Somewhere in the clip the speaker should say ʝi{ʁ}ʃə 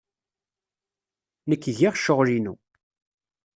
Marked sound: correct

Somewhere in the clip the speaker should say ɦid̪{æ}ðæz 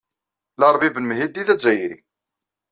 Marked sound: incorrect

